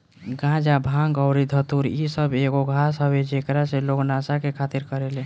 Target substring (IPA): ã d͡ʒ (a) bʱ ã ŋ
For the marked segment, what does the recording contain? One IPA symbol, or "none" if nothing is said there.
a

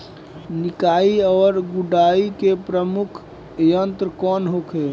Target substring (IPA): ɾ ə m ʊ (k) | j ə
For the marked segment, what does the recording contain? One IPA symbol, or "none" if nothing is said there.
kʰ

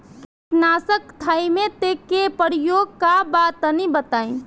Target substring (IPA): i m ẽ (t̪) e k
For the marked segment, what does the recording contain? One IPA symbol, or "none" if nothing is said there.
t̪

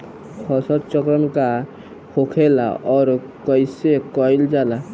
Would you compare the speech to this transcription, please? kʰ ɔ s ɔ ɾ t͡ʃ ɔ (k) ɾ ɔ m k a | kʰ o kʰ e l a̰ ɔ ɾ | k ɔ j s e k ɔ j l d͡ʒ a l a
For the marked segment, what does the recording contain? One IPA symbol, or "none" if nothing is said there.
k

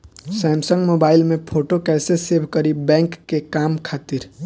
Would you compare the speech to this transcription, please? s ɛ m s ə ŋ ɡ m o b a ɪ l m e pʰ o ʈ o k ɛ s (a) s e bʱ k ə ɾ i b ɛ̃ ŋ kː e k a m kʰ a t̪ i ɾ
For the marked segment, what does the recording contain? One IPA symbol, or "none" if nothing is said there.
e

